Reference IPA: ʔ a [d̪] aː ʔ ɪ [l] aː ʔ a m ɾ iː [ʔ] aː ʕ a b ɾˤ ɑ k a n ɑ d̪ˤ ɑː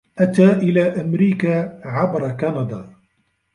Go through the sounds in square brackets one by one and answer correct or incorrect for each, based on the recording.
incorrect, correct, incorrect

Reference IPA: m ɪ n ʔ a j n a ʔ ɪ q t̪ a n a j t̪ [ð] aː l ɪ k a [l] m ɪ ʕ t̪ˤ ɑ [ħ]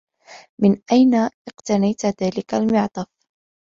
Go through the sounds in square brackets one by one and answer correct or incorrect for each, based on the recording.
correct, correct, incorrect

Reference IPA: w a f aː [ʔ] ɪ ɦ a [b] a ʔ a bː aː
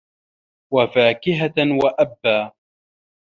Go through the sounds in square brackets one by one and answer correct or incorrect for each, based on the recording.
incorrect, incorrect

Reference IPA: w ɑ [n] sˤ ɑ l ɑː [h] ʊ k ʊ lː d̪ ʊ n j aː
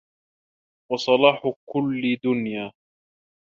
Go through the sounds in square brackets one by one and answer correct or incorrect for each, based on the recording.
incorrect, incorrect

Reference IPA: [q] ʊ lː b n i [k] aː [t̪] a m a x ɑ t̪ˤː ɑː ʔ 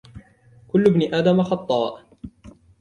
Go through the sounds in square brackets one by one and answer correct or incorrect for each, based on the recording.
incorrect, incorrect, incorrect

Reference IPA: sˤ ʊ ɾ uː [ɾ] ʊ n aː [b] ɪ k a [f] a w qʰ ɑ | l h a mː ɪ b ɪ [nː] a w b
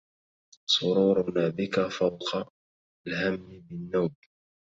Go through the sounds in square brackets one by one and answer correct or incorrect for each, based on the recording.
correct, correct, correct, correct

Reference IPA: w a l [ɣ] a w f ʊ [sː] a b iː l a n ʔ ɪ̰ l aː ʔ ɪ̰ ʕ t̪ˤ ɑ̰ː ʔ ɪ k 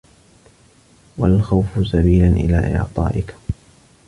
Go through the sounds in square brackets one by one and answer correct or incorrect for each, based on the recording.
incorrect, incorrect

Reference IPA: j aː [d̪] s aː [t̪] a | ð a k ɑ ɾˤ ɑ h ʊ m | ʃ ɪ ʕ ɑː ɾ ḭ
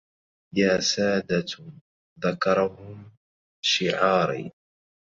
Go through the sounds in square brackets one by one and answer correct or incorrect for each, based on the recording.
incorrect, incorrect

